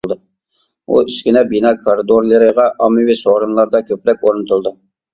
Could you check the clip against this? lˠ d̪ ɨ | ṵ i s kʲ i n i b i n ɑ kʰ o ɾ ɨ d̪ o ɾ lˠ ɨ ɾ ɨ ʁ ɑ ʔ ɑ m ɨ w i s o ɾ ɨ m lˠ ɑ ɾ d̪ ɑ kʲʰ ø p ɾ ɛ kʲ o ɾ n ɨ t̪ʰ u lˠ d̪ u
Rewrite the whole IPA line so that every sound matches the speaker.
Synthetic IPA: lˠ d̪ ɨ | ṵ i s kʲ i n ɛ b i n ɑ kʰ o ɾ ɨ d̪ o ɾ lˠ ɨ ɾ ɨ ʁ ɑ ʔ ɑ m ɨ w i s o ɾ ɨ m lˠ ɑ ɾ d̪ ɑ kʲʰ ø p ɾ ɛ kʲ o ɾ n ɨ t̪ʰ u lˠ d̪ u